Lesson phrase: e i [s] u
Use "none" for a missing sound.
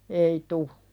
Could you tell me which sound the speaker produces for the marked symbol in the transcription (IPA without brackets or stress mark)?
t